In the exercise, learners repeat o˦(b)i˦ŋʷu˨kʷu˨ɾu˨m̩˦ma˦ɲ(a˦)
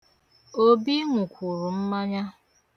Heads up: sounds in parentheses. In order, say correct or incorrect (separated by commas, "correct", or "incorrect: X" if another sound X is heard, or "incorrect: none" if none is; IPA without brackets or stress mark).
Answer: correct, correct